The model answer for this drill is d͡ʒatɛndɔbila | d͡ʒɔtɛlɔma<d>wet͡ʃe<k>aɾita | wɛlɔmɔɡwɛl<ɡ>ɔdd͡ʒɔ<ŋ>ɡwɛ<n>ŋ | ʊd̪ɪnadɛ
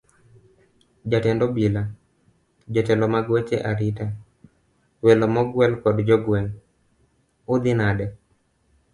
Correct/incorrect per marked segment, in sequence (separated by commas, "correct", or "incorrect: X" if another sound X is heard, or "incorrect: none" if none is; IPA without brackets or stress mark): incorrect: ɡ, incorrect: ʔ, incorrect: k, incorrect: none, incorrect: none